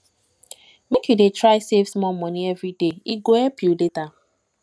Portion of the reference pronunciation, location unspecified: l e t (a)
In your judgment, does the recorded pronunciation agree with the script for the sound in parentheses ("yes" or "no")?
yes